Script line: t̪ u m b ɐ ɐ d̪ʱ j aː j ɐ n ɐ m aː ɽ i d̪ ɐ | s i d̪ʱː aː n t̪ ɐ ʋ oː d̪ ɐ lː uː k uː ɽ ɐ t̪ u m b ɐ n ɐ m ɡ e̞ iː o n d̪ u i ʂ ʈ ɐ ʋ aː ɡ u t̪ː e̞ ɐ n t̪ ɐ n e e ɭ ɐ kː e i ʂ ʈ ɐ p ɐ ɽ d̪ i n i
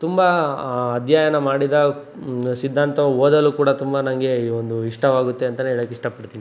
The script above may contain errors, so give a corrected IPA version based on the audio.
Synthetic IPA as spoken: t̪ u m b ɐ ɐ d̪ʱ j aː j ɐ n ɐ m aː ɽ i d̪ ɐ | s i d̪ʱː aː n t̪ ɐ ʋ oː d̪ ɐ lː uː k uː ɽ ɐ t̪ u m b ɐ n ɐ ŋ ɡ e̞ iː o n d̪ u i ʂ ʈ ɐ ʋ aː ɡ u t̪ː e̞ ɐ n t̪ ɐ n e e ɭ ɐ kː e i ʂ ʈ ɐ p ɐ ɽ t̪ i n i